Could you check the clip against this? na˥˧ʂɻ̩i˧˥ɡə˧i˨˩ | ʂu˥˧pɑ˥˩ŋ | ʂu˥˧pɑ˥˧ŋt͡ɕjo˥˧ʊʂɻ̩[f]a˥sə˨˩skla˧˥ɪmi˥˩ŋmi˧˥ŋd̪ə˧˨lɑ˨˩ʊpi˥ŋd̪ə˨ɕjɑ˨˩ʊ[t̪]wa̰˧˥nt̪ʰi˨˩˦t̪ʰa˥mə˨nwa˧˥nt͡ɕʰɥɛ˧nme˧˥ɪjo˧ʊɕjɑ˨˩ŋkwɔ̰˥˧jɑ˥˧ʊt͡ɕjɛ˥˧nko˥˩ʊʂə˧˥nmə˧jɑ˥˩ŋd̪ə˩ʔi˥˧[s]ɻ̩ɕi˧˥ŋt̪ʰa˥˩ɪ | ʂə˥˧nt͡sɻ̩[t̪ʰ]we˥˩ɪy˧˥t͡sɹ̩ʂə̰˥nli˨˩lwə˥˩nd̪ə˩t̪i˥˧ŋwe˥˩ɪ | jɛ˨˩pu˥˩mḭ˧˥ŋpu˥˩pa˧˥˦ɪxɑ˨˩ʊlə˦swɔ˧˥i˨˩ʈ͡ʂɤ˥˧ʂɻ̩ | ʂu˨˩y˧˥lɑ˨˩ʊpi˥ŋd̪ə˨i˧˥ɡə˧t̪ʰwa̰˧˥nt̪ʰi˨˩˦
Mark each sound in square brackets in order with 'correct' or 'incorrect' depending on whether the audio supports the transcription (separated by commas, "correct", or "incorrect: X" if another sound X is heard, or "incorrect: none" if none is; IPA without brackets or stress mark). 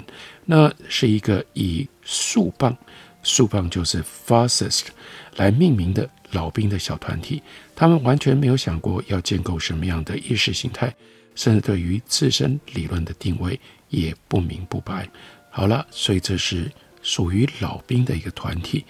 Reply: correct, incorrect: t̪ʰ, incorrect: ʂ, incorrect: t̪